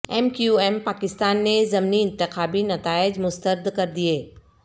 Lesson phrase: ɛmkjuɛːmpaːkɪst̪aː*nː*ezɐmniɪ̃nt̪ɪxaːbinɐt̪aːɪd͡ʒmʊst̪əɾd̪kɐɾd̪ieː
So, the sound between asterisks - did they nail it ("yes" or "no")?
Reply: yes